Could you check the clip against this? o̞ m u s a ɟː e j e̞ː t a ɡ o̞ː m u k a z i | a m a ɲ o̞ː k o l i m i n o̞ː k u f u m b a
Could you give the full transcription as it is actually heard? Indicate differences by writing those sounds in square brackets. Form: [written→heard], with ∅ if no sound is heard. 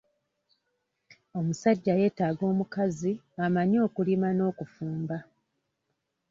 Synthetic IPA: o̞ m u s a ɟː [e→a] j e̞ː t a ɡ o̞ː m u k a z i | a m a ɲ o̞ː k [o→u] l i m [i→a] n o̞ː k u f [u→uː] m b a